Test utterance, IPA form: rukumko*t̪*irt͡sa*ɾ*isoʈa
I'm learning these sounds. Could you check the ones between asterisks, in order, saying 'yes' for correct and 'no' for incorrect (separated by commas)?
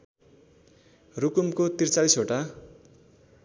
yes, no